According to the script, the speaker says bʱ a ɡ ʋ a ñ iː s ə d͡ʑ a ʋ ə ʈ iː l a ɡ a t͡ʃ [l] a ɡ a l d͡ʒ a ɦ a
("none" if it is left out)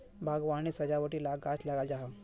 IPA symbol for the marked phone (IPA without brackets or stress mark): l